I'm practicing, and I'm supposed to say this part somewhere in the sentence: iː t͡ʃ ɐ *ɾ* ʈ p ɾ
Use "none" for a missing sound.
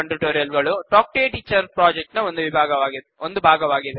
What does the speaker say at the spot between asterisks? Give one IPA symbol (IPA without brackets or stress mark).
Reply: ɾ